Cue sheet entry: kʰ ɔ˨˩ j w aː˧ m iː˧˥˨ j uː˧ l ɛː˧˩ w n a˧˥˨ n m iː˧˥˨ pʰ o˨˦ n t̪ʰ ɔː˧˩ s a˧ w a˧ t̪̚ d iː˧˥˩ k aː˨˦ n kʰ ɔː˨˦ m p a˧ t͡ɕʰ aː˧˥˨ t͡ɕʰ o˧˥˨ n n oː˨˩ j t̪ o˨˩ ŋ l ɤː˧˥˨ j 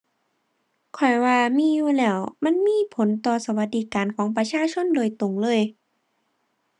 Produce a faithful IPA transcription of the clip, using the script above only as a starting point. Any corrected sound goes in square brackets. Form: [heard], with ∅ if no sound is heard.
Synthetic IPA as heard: kʰ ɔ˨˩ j w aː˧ m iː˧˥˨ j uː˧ l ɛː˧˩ w [m] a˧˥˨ n m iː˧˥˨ pʰ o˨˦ n [t̪] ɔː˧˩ s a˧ w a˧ t̪̚ d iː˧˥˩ k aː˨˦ n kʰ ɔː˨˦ [ŋ] p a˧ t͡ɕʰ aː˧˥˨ t͡ɕʰ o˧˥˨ n [d] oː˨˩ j t̪ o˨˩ ŋ l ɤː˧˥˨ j